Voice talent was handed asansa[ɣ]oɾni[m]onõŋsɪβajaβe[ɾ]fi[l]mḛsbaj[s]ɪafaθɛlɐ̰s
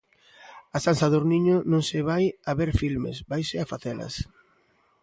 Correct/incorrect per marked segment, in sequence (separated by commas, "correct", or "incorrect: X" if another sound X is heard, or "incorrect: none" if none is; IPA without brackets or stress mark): incorrect: ð, incorrect: ɲ, correct, correct, correct